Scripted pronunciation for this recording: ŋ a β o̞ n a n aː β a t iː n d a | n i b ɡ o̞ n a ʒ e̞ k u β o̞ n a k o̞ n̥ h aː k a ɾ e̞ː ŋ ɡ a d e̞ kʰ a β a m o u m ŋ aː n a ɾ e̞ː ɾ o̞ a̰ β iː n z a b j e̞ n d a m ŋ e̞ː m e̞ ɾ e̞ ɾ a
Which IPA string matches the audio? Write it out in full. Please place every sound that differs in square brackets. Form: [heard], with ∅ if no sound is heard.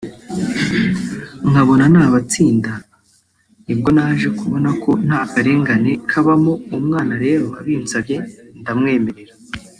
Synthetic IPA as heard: ŋ a β o̞ n a n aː β a [t͡s] iː n d a | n i b ɡ o̞ n a ʒ e̞ k u β o̞ n a k o̞ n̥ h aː k a ɾ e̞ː ŋ ɡ a [n] e̞ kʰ a β a m o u m ŋ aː n a ɾ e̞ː ɾ o̞ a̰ β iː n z a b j e̞ n d a m ŋ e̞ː m e̞ ɾ e̞ ɾ a